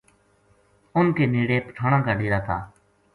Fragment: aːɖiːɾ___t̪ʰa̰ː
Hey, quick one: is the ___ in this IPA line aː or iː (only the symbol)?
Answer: aː